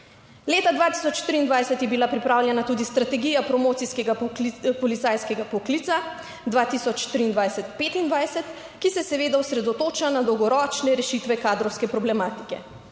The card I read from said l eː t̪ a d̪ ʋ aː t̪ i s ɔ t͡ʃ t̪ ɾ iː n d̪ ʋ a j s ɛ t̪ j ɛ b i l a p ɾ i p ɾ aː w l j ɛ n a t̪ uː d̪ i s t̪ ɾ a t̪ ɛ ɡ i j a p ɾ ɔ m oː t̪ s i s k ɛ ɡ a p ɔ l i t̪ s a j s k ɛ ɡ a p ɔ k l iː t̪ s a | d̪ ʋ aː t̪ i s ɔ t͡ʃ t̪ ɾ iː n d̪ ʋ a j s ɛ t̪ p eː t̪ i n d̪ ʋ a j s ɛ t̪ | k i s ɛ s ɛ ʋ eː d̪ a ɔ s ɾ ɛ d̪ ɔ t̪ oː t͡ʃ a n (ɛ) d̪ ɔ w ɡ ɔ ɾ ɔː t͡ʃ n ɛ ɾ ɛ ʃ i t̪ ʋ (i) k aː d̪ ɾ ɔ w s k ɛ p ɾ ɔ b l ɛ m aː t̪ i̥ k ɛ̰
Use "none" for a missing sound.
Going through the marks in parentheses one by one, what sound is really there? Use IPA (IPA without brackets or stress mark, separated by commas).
a, ɛ